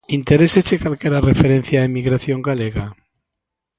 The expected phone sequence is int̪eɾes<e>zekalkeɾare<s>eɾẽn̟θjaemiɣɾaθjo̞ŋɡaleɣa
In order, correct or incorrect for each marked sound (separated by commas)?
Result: correct, incorrect